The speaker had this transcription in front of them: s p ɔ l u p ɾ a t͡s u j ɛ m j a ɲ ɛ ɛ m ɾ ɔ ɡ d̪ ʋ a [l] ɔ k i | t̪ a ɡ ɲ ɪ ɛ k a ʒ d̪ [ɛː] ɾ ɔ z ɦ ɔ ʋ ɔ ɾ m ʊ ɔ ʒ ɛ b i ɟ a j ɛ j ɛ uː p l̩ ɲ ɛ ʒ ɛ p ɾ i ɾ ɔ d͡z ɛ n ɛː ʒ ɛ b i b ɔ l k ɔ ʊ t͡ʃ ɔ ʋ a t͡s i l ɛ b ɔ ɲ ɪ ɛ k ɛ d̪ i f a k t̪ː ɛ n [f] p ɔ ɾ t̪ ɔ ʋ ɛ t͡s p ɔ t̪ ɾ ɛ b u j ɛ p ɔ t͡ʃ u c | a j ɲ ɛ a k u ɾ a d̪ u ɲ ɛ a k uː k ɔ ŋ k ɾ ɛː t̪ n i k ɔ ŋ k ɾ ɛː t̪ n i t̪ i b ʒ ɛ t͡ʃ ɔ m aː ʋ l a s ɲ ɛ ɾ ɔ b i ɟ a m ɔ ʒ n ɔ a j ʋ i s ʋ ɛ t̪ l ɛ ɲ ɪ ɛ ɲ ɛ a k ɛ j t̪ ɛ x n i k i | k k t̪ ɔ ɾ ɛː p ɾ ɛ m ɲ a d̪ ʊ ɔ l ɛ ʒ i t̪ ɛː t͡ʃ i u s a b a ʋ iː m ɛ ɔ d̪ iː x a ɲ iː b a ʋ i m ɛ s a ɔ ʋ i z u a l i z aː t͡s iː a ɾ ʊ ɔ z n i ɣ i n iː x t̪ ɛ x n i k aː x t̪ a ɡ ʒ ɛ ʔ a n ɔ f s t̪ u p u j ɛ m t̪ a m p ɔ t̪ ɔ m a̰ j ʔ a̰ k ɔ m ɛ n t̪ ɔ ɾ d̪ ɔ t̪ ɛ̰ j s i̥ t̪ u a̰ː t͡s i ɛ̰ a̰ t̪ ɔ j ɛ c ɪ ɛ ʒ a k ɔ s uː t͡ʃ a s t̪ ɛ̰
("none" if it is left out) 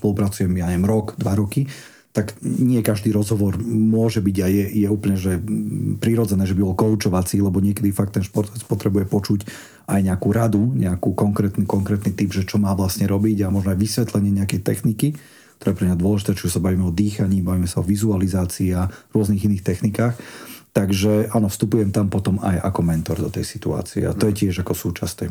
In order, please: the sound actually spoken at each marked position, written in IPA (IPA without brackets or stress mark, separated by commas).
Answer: ɾ, iː, ʃ